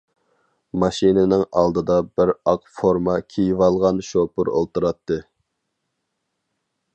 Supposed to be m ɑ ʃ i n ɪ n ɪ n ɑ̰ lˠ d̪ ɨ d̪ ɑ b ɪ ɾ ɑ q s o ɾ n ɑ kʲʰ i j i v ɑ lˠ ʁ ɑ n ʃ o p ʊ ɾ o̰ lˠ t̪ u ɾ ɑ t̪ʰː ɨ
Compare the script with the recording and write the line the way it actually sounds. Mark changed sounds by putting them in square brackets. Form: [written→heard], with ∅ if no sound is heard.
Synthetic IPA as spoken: m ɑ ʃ i n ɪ n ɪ [n→ŋ] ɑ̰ lˠ d̪ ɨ d̪ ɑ b ɪ ɾ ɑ q [s→f] o ɾ [n→m] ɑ kʲʰ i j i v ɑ lˠ ʁ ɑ n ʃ o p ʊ ɾ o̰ lˠ t̪ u ɾ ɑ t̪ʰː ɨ